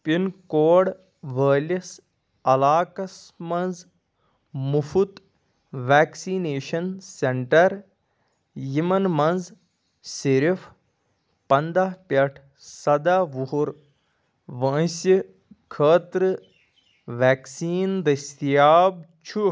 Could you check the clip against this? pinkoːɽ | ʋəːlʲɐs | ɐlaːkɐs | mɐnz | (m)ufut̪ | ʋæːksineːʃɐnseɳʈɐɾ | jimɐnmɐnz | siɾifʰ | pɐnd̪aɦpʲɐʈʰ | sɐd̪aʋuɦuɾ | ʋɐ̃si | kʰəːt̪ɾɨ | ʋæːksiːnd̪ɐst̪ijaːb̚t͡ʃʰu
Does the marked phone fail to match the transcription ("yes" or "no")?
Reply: no